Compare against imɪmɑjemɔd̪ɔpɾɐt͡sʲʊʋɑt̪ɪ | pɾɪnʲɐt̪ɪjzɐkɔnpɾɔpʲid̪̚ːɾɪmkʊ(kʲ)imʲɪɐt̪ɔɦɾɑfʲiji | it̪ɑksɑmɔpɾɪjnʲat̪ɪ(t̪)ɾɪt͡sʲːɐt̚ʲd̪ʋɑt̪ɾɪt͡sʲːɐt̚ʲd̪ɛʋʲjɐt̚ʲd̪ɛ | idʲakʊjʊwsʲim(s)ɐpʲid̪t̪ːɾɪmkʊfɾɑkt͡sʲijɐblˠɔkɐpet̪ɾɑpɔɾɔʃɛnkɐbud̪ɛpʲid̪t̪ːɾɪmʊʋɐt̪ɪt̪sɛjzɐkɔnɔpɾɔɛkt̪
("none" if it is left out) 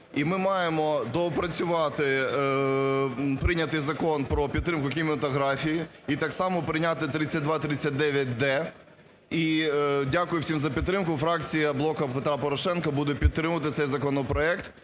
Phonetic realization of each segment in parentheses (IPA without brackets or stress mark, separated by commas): kʲ, t̪, z